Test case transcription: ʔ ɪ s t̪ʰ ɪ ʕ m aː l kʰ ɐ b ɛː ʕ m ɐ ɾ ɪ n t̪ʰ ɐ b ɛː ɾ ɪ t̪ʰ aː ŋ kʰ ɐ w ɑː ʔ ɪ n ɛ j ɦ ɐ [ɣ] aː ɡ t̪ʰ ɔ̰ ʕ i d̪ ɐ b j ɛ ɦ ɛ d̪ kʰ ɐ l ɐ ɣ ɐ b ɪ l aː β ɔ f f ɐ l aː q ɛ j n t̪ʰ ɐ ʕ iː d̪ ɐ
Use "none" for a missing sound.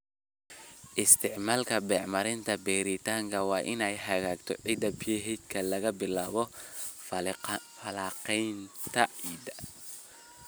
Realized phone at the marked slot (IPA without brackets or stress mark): ɣ